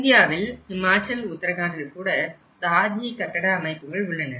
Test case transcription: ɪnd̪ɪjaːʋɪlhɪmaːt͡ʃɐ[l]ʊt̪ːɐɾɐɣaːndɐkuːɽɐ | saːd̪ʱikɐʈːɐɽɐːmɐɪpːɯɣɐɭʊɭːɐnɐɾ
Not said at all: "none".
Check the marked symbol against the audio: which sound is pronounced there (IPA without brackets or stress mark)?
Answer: l